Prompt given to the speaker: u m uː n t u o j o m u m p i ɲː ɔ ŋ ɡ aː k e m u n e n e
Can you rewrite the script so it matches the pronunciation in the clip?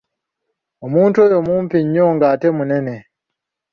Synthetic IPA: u m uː n t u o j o m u m p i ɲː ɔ ŋ ɡ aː t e m u n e n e